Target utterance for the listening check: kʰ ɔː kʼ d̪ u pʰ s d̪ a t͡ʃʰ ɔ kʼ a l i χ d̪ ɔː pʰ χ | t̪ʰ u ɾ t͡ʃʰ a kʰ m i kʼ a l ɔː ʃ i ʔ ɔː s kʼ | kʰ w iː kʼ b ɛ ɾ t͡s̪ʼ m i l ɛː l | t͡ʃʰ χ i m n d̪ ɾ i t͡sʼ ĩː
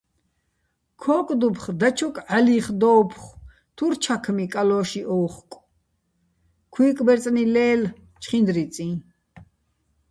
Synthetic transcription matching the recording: kʰ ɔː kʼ d̪ u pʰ χ d̪ a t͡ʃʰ ɔ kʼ a l i χ d̪ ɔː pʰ χ | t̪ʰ u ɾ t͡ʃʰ a kʰ m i kʼ a l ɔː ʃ i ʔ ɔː χ kʼ | kʰ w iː kʼ b ɛ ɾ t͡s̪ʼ n i l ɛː l | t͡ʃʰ χ i n d̪ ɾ i t͡sʼ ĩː

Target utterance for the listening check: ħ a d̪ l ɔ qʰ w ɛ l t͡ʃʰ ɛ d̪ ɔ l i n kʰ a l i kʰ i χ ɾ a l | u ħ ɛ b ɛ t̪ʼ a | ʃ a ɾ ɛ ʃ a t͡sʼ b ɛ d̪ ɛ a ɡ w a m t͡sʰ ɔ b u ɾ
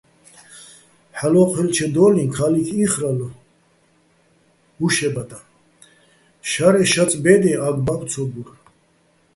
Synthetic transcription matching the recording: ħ a l ɔ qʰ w ɛ l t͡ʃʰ ɛ d̪ ɔ l i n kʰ a l i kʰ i χ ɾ a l | u ʃ ɛ b a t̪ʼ a | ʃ a ɾ ɛ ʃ a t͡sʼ b ɛ d̪ ɛ a ɡ b a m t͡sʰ ɔ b u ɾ

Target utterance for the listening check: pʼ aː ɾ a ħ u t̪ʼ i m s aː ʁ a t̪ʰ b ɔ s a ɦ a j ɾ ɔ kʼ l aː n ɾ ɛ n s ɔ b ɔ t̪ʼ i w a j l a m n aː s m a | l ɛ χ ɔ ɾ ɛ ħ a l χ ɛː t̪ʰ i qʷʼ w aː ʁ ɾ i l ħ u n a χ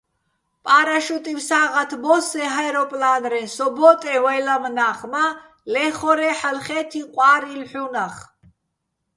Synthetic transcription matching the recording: pʼ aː ɾ a ʃ u t̪ʼ i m s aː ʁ a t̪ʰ b ɔ s ɛ ɦ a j ɾ ɔ pʼ l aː n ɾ ɛ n s ɔ b ɔ t̪ʼ ɛ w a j l a m n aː χ m a | l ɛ χ ɔ ɾ ɛ ħ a l χ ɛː t̪ʰ i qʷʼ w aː ɾ i l ħ u n a χ

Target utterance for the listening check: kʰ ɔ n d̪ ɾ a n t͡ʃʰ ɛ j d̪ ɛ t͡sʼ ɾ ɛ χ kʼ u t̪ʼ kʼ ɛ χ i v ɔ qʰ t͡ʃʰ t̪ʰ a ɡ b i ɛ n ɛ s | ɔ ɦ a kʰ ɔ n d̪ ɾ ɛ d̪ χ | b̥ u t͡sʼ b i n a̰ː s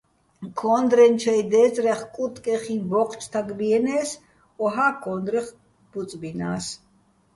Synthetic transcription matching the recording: kʰ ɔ n d̪ ɾ ɛ n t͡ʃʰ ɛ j d̪ ɛ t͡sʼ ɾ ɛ χ kʼ u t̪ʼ kʼ ɛ χ i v ɔ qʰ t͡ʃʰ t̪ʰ a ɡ b i ɛ n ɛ s | ɔ ɦ a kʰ ɔ n d̪ ɾ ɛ χ | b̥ u t͡sʼ b i n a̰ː s

